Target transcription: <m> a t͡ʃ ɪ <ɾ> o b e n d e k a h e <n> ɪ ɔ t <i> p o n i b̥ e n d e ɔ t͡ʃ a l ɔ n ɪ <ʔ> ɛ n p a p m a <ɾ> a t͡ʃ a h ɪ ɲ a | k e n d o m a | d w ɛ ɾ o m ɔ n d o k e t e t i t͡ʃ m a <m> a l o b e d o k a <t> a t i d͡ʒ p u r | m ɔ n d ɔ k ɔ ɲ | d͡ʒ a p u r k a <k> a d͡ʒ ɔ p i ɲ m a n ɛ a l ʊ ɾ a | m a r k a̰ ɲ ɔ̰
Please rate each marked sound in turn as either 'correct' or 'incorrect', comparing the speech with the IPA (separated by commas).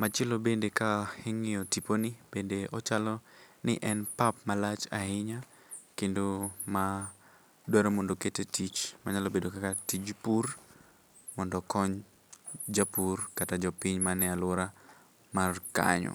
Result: correct, incorrect, incorrect, correct, correct, incorrect, incorrect, incorrect, incorrect